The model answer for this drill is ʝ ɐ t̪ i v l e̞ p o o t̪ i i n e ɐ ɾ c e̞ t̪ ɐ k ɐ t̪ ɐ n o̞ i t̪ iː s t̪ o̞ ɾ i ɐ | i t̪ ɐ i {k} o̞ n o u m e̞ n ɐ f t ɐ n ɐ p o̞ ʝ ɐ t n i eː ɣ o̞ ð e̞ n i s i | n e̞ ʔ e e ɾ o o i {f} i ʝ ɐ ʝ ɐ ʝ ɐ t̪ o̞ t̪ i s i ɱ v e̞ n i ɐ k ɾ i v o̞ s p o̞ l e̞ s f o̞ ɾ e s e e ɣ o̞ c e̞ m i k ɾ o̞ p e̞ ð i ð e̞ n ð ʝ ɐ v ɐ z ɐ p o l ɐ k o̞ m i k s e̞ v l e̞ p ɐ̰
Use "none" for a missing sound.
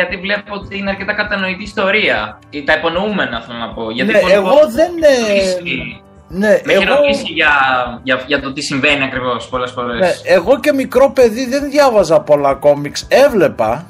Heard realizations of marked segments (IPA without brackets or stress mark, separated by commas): p, s